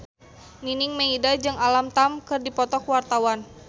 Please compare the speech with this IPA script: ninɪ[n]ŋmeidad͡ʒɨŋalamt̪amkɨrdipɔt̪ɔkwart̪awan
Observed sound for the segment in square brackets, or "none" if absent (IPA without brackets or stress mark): none